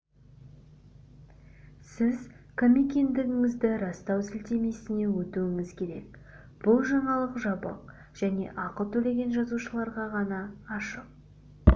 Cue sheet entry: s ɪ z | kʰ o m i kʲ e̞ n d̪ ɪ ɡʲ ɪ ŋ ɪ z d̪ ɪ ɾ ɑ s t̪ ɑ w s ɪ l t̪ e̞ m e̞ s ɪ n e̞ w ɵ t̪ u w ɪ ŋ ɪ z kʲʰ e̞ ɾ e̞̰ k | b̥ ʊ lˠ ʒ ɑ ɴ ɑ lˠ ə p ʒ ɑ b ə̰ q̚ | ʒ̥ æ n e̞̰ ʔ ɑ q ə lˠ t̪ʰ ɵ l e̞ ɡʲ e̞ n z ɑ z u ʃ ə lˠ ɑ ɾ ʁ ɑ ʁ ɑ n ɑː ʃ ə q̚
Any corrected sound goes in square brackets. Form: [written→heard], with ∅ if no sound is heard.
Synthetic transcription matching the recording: s ɪ z | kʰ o m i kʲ e̞ n d̪ ɪ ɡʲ ɪ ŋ ɪ z d̪ ɪ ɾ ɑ s t̪ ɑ w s ɪ l t̪ e̞ m e̞ s ɪ n e̞ w ɵ t̪ u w ɪ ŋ ɪ z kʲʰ e̞ ɾ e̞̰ k | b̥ ʊ lˠ ʒ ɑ ɴ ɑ lˠ ə [p→q] ʒ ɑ b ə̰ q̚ | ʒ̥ æ n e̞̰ ʔ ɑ q ə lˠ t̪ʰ ɵ l e̞ ɡʲ e̞ n [z→ʒ] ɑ z u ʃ ə lˠ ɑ ɾ ʁ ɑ ʁ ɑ n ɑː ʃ ə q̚